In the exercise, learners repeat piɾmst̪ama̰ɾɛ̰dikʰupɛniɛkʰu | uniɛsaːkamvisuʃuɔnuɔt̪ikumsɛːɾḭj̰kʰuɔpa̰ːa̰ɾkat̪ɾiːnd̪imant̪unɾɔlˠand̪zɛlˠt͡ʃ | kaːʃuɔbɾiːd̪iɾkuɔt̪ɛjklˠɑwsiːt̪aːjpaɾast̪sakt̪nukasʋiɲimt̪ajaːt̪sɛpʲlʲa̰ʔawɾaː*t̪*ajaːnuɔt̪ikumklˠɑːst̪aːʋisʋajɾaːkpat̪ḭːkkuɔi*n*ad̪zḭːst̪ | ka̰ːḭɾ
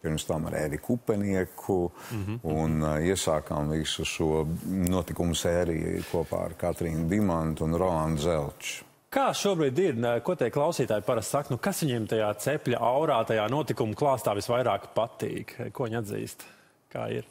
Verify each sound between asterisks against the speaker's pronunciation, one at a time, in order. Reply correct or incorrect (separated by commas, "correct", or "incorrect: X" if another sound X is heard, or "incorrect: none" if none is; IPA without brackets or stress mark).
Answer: correct, incorrect: ɲ